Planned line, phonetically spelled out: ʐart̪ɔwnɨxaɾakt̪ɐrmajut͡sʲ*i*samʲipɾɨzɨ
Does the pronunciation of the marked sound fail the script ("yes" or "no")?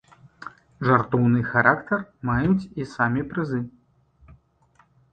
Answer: no